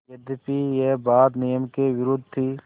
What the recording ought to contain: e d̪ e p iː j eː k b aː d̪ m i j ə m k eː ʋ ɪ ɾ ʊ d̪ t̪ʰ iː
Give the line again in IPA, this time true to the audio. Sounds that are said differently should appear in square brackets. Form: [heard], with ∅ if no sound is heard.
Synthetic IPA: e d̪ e p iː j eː [∅] b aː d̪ [n] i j ə m k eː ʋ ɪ ɾ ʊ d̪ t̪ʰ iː